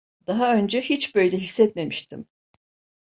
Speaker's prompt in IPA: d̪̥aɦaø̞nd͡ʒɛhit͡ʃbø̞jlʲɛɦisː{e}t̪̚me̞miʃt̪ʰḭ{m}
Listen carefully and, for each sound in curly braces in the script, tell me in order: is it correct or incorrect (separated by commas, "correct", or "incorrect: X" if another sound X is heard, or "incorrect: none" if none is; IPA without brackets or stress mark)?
incorrect: ɛ, correct